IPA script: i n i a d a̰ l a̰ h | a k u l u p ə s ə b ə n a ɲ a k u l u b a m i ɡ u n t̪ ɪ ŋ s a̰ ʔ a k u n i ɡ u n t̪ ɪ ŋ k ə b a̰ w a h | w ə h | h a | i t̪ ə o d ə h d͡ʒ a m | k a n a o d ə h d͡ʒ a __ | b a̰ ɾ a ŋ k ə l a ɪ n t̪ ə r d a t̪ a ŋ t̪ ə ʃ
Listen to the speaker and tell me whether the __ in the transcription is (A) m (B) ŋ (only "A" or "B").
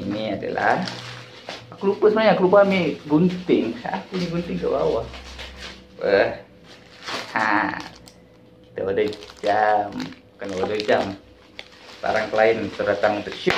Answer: A